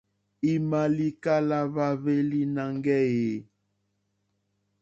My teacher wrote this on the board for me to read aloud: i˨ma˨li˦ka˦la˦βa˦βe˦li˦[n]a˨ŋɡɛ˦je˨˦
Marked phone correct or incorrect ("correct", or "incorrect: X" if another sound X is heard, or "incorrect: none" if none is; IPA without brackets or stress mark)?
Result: correct